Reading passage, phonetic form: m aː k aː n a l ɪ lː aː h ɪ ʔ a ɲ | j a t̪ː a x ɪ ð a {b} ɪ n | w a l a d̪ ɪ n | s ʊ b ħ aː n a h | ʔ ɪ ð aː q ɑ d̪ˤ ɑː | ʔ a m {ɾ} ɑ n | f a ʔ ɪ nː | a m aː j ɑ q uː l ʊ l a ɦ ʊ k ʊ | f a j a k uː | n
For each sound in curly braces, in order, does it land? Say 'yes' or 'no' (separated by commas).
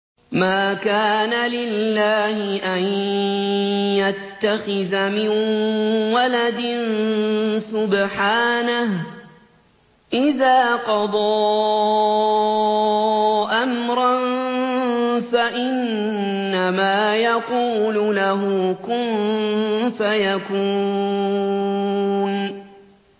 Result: no, yes